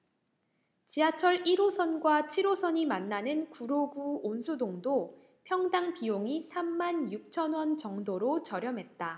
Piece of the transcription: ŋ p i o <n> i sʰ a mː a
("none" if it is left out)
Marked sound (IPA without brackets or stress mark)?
ŋ